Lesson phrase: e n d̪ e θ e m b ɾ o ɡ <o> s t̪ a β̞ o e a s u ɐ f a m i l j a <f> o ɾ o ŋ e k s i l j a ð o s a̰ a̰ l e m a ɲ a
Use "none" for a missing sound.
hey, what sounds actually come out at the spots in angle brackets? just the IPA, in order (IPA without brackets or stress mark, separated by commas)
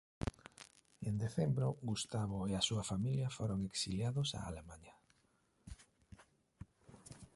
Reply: u, f